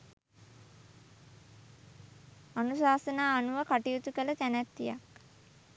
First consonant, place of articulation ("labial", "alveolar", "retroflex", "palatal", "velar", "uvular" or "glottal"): alveolar